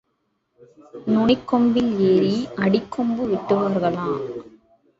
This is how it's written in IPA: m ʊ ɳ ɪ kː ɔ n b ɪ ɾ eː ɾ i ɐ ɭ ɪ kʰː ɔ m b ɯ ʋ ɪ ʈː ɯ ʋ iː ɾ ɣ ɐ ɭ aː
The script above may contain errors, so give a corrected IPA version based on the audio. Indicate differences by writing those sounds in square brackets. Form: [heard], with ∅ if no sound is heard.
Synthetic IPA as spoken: [n] ʊ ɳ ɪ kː ɔ [m] b ɪ [l] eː ɾ i ɐ [ɽ] ɪ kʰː ɔ m b ɯ ʋ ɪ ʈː ɯ ʋ [aː] ɾ ɣ ɐ ɭ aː